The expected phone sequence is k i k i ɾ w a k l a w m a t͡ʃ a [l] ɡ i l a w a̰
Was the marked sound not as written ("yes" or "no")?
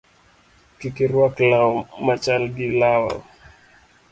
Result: no